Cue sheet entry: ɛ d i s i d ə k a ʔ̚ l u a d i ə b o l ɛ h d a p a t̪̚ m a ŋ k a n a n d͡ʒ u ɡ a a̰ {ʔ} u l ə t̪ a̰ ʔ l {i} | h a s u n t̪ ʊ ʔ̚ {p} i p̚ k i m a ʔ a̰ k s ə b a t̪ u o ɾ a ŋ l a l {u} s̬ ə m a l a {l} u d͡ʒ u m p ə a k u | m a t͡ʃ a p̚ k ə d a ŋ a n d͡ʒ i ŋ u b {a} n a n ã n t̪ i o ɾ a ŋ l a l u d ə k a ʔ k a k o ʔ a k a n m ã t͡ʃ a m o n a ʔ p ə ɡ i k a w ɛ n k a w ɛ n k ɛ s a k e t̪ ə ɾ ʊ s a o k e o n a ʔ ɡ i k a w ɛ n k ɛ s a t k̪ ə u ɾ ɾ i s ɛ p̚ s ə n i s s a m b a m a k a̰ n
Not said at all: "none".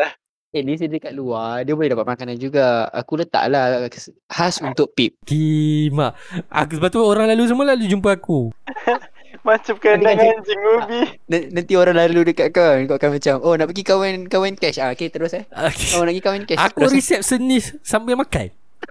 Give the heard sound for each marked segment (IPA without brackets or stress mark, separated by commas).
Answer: k, a, p, u, l, i